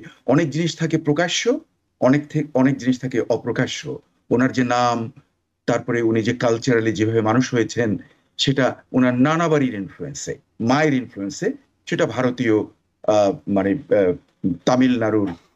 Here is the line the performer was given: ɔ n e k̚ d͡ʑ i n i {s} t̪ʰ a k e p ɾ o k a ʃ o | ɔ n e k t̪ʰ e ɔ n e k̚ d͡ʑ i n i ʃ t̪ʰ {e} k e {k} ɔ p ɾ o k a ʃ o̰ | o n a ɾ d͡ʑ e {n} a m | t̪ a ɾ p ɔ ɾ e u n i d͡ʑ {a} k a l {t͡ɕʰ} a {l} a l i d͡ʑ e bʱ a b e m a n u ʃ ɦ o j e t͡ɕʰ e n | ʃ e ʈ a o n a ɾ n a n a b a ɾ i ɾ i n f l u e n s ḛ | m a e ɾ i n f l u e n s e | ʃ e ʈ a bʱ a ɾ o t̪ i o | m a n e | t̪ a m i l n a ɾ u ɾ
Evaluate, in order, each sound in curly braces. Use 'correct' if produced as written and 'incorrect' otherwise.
incorrect, incorrect, incorrect, correct, incorrect, incorrect, incorrect

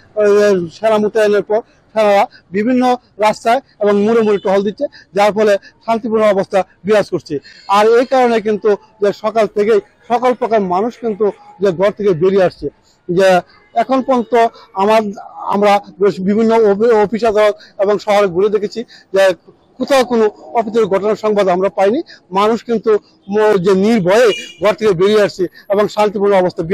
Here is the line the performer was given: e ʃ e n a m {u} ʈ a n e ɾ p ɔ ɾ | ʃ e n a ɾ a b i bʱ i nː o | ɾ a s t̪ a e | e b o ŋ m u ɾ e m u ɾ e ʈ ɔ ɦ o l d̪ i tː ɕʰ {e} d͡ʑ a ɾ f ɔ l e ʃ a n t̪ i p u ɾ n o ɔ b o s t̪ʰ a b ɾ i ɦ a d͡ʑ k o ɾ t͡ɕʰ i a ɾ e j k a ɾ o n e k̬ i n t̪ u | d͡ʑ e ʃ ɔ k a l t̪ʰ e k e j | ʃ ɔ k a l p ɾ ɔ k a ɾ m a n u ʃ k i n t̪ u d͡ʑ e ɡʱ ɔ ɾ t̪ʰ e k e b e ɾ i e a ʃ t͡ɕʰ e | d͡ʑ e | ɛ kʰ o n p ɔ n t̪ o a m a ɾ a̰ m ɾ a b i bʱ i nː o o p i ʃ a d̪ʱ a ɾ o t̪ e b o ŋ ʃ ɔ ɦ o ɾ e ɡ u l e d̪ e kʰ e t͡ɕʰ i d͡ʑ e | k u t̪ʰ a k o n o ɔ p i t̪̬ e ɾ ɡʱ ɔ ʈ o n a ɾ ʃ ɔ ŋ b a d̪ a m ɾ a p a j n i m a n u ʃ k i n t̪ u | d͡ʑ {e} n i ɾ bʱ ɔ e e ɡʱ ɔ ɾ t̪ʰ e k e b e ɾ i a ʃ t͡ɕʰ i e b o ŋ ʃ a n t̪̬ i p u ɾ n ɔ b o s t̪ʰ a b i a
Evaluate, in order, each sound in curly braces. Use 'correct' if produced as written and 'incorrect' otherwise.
correct, correct, correct

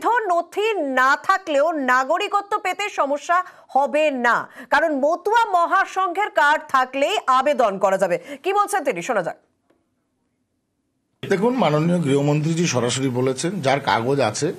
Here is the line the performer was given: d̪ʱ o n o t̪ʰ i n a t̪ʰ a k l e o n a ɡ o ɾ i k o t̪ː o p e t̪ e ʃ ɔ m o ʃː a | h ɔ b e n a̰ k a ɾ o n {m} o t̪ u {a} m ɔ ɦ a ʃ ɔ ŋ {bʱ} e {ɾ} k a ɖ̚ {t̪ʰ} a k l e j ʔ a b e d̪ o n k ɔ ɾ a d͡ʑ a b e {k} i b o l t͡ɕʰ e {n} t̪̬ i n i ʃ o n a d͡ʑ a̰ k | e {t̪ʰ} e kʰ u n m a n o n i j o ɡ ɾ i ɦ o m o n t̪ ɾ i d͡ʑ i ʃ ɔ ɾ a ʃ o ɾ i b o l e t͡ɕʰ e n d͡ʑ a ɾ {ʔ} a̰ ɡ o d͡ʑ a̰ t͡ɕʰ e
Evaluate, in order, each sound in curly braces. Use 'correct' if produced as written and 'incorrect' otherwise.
correct, correct, incorrect, correct, correct, correct, correct, incorrect, incorrect

